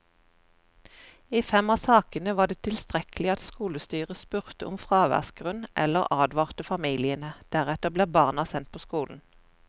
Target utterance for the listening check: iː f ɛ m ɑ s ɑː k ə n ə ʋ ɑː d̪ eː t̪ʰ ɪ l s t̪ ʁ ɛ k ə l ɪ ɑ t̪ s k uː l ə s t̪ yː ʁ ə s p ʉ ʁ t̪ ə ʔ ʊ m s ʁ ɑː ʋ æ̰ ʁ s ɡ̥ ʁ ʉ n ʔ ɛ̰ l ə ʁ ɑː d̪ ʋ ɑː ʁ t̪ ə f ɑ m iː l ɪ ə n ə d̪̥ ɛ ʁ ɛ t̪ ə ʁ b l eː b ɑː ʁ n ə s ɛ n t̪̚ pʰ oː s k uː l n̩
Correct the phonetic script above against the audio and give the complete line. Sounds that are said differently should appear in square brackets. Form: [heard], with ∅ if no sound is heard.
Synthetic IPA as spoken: iː f ɛ m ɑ s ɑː k ə n ə ʋ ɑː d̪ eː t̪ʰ ɪ l s t̪ ʁ ɛ k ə l ɪ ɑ t̪ s k uː l ə s t̪ yː ʁ ə s p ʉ ʁ t̪ ə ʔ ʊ m [f] ʁ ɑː ʋ æ̰ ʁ s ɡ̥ ʁ ʉ n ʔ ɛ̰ l ə ʁ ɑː d̪ ʋ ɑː ʁ t̪ ə f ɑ m iː l ɪ ə n ə d̪̥ [æ] ʁ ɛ t̪ ə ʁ b l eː b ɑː ʁ n [ɑ] s ɛ n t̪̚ pʰ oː s k uː l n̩